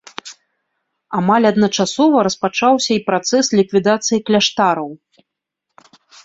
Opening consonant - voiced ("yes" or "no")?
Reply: yes